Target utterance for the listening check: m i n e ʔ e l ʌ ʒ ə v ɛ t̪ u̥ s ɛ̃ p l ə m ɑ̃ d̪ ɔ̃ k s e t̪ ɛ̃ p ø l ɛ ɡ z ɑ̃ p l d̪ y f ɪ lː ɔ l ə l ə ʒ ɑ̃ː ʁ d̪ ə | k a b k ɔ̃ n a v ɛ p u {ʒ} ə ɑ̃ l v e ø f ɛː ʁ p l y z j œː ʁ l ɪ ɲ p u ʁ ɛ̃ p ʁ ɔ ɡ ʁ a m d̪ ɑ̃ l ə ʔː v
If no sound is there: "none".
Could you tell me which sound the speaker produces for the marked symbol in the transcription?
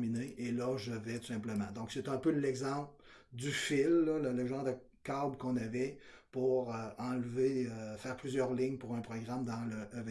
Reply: ʁ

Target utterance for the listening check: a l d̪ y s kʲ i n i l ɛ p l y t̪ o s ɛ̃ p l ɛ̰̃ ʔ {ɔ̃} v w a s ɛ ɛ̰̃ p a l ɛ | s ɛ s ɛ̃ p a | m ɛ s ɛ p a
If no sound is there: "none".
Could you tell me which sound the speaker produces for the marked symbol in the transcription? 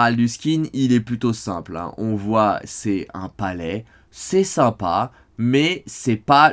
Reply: ɔ̃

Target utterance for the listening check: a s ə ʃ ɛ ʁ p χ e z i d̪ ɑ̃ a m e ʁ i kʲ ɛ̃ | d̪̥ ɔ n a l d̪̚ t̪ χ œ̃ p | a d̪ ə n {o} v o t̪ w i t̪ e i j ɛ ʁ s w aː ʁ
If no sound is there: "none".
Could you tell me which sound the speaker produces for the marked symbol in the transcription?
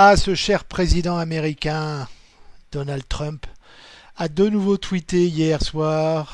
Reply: u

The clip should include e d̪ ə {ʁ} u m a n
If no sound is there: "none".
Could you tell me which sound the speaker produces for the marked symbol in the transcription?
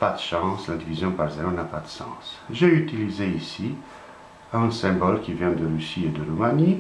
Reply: ʁ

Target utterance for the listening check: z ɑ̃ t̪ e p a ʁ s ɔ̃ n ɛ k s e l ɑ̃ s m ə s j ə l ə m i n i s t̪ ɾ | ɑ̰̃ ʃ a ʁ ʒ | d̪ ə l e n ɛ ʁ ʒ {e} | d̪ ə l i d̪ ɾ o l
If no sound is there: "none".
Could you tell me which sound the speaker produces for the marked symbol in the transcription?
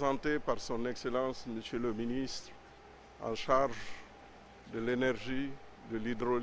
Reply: i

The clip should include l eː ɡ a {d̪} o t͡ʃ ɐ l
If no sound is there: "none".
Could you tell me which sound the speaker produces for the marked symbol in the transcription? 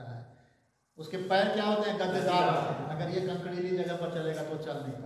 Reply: t̪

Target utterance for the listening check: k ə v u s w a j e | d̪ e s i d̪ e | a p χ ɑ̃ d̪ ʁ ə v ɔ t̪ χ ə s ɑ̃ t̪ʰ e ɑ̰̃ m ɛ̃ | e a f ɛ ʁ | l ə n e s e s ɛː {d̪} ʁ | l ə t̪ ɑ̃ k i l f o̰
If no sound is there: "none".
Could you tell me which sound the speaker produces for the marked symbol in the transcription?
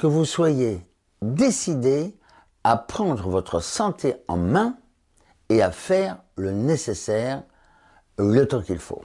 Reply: none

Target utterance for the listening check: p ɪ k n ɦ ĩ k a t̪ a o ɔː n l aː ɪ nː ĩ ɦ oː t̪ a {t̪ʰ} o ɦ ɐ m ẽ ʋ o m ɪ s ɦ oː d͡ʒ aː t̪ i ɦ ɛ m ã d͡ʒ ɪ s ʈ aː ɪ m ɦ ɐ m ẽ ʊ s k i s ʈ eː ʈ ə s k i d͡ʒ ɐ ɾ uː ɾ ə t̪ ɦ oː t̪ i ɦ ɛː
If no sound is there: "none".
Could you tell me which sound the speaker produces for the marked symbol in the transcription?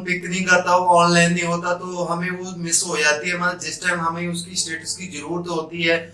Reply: t̪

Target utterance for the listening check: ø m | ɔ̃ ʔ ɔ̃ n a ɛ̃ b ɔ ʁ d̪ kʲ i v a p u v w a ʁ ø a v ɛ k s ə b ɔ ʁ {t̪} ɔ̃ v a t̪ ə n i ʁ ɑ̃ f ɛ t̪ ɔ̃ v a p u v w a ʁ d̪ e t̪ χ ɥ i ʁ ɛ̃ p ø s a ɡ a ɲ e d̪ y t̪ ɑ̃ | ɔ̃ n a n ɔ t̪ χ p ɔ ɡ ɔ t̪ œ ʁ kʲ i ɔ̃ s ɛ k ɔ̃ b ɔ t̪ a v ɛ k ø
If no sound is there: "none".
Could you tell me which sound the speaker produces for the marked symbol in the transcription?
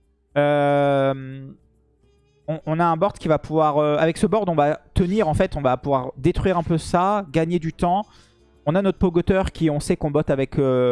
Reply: d̪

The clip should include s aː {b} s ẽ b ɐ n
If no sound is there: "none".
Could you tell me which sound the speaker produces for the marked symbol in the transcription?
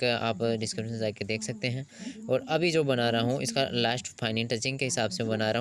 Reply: b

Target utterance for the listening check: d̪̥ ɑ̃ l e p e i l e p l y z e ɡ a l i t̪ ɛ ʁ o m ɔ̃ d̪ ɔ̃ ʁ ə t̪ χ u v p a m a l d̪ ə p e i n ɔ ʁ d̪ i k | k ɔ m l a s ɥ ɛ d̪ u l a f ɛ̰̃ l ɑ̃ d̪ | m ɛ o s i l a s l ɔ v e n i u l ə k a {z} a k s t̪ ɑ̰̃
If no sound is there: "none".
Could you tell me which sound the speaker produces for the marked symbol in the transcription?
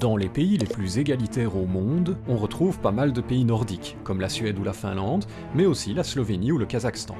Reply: z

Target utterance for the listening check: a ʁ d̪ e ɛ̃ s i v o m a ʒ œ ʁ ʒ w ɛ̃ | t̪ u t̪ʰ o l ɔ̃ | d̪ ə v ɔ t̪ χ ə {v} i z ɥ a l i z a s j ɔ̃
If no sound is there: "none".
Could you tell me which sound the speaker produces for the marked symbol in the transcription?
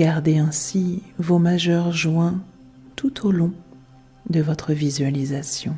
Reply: v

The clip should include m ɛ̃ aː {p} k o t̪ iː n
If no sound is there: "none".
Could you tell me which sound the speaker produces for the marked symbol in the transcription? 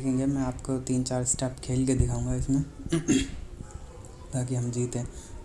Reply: p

